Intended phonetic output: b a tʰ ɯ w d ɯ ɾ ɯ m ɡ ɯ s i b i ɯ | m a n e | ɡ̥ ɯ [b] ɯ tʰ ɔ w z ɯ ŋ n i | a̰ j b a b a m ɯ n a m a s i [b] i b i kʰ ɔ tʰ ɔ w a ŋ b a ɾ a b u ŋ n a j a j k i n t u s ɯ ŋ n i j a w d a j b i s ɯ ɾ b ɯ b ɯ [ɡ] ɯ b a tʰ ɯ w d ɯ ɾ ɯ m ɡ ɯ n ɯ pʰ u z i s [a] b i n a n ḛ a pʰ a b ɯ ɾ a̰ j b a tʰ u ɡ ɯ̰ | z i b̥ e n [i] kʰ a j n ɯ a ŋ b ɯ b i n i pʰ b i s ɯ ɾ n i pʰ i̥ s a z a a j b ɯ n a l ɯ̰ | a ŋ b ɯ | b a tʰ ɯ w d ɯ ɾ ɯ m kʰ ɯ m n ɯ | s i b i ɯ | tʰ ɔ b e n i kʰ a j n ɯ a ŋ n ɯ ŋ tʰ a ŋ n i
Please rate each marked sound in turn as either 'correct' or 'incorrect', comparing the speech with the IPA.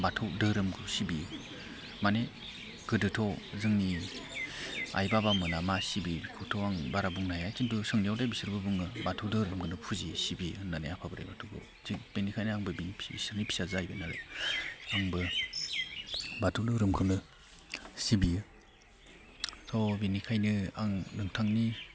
incorrect, correct, incorrect, incorrect, correct

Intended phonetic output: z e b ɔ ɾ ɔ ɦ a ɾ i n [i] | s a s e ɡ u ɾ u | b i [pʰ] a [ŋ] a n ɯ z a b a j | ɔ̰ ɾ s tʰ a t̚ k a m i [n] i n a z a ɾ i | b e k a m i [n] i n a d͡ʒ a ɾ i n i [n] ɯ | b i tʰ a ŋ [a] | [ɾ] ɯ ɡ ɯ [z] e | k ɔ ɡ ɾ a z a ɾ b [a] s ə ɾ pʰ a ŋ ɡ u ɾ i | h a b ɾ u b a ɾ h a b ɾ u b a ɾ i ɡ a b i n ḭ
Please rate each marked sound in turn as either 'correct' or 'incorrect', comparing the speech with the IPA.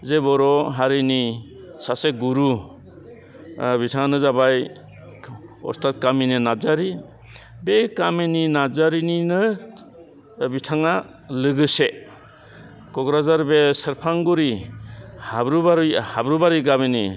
correct, incorrect, correct, correct, correct, correct, correct, incorrect, incorrect, incorrect

